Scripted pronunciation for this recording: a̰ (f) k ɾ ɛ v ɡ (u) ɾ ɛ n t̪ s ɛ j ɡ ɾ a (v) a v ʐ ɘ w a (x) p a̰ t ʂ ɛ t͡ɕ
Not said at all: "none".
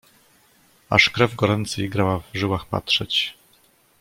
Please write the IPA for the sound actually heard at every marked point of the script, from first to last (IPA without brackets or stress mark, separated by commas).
ʂ, ɔ, w, x